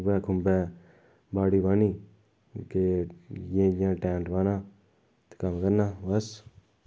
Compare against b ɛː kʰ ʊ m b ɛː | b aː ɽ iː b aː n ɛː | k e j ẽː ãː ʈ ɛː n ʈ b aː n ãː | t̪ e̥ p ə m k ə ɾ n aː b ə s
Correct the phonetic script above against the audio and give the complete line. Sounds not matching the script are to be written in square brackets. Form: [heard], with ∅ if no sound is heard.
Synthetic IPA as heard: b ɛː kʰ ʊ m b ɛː | b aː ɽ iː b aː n [iː] | k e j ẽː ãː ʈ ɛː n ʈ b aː n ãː | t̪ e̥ [k] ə m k ə ɾ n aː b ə s

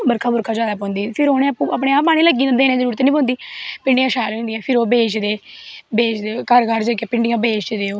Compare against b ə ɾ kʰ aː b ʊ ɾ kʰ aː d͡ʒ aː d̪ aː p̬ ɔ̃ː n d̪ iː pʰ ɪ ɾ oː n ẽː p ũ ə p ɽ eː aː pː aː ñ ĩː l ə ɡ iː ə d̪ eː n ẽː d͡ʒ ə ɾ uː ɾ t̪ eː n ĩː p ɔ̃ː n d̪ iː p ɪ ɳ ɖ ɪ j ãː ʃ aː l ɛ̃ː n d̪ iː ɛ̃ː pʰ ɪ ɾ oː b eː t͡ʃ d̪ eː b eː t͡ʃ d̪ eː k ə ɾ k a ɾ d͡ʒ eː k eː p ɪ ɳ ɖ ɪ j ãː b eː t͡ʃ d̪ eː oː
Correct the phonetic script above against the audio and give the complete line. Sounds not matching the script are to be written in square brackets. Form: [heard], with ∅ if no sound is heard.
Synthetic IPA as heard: b ə ɾ kʰ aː b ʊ ɾ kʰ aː d͡ʒ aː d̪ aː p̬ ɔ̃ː n d̪ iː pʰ ɪ ɾ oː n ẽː p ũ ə p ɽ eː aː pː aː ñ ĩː l ə ɡ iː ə d̪ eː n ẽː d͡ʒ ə ɾ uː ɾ t̪ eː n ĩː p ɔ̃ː n d̪ iː p ɪ ɳ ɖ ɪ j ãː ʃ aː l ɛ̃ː n d̪ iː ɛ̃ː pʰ ɪ ɾ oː b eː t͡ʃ d̪ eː b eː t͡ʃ d̪ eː k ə ɾ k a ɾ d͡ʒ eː k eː p ɪ ɳ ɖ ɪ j ãː b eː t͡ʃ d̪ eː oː

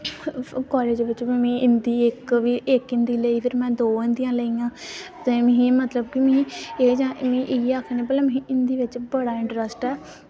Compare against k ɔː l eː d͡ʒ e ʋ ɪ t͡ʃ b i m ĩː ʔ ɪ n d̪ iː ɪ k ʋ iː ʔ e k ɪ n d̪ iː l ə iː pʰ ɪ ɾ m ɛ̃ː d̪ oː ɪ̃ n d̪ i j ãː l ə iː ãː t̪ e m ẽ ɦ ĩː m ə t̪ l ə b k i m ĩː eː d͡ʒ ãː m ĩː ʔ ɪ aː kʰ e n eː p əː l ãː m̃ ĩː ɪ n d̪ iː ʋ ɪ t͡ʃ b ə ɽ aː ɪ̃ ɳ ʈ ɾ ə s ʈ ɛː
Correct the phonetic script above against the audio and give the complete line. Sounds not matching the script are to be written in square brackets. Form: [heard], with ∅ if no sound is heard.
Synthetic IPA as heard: k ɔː l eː d͡ʒ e ʋ ɪ t͡ʃ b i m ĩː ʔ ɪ n d̪ iː ɪ k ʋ iː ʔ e k ɪ n d̪ iː l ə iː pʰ ɪ ɾ m ɛ̃ː d̪ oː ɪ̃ n d̪ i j ãː l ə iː ãː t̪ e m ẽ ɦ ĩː m ə t̪ l ə b k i m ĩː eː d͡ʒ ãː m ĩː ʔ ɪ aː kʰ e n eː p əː l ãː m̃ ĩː ɪ n d̪ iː ʋ ɪ t͡ʃ b ə ɽ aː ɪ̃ ɳ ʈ ɾ ə s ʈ ɛː

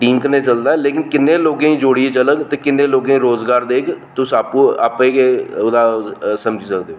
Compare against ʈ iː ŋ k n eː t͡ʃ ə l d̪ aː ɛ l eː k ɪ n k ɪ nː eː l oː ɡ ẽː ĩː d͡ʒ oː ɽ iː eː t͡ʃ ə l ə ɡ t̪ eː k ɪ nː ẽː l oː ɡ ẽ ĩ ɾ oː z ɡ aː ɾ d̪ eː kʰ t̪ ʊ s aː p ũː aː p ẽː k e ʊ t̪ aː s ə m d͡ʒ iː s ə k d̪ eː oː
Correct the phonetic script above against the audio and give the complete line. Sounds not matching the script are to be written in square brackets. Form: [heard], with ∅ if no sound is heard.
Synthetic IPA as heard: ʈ iː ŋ k n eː t͡ʃ ə l d̪ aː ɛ l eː k ɪ n k ɪ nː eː l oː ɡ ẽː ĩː d͡ʒ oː ɽ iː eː t͡ʃ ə l ə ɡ t̪ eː k ɪ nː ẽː l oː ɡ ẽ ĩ ɾ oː z ɡ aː ɾ d̪ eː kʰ t̪ ʊ s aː p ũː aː p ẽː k e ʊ [d̪] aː s ə m d͡ʒ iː s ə k d̪ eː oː

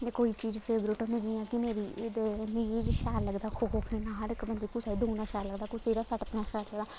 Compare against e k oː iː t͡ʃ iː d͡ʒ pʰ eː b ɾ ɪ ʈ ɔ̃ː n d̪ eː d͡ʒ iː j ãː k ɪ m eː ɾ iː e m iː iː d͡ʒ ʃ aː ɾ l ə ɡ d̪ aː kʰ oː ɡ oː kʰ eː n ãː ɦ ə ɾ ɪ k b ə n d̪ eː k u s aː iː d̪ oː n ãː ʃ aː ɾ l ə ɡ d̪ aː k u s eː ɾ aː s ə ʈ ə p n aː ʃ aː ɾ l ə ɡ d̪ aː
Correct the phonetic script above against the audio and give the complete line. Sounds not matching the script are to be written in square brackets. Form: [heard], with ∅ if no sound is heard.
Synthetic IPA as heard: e k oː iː t͡ʃ iː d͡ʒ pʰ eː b ɾ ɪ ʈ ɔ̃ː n d̪ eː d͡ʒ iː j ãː k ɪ m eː ɾ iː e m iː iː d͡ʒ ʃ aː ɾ l ə ɡ d̪ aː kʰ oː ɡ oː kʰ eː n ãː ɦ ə ɾ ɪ k b ə n d̪ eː k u s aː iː d̪ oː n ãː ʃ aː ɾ l ə ɡ d̪ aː k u s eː ɾ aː s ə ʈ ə p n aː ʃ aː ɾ l ə ɡ d̪ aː

